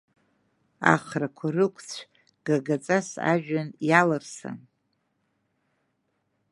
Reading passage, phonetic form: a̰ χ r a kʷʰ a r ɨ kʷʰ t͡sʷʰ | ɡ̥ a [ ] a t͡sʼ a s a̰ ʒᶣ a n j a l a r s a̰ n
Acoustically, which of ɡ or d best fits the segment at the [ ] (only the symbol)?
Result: ɡ